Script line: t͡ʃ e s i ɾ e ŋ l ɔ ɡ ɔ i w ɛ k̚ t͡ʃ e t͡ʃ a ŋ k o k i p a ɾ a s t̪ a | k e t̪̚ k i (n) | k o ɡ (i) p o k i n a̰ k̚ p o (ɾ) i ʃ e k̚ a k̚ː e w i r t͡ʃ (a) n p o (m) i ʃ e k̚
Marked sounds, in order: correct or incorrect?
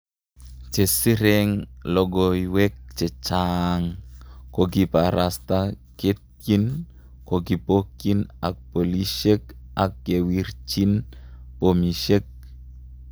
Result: correct, correct, incorrect, incorrect, correct

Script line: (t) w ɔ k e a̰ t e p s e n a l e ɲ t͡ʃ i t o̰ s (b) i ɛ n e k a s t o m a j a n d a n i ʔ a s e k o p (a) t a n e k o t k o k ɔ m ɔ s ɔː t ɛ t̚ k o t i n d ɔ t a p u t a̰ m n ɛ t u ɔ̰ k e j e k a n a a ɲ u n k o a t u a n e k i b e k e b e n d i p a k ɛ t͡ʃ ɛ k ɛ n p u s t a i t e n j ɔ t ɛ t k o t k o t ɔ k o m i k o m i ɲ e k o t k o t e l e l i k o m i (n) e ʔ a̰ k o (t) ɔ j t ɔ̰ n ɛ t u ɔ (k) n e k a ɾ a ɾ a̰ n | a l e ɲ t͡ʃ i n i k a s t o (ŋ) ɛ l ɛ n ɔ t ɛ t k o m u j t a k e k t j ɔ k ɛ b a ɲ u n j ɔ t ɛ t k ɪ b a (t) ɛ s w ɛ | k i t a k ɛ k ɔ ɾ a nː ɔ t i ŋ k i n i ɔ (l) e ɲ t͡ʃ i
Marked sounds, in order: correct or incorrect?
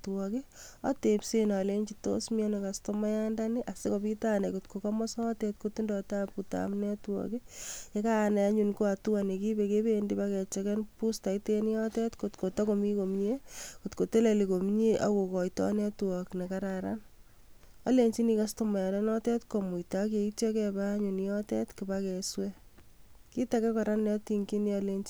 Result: correct, incorrect, incorrect, incorrect, incorrect, correct, incorrect, incorrect, correct

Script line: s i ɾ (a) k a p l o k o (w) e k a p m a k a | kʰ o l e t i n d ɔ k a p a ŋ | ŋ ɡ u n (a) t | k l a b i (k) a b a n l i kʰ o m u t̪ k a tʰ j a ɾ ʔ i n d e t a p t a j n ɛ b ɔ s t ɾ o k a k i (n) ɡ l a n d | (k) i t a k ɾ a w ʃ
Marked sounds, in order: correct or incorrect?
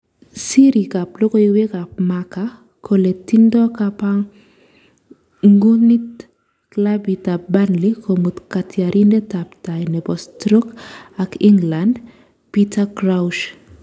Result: incorrect, correct, incorrect, incorrect, incorrect, incorrect

